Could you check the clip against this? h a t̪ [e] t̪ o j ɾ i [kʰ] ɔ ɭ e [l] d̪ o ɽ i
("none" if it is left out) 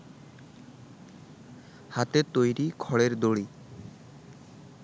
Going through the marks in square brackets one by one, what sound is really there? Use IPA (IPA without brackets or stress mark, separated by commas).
e, kʰ, ɾ